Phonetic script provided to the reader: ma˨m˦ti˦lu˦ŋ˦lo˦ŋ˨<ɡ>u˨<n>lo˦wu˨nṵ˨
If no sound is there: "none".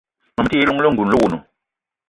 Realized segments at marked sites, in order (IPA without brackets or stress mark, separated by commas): ɡ, n